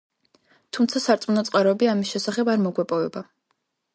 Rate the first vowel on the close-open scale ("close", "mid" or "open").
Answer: close